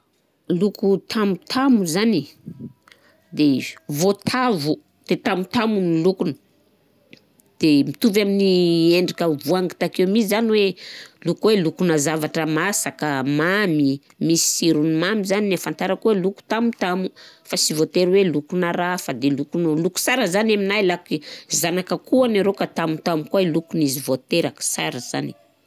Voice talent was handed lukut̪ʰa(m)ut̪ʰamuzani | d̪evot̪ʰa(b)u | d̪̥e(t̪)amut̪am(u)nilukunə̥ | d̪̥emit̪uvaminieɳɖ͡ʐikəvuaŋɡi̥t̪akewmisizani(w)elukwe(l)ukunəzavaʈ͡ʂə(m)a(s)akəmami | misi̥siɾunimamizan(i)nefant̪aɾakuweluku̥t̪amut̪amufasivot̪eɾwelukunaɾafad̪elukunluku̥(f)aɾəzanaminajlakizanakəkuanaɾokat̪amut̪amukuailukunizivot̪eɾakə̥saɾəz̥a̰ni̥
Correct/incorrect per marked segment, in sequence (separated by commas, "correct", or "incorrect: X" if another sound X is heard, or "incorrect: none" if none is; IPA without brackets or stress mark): correct, incorrect: v, correct, correct, correct, correct, correct, correct, correct, incorrect: s